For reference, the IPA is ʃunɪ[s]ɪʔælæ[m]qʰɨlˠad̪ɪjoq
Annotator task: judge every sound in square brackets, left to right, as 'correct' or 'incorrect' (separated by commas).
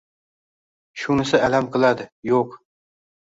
correct, correct